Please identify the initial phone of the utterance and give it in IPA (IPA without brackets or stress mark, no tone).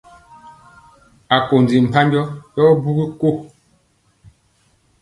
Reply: a